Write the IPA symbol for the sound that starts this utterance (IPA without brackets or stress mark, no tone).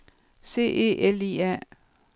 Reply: s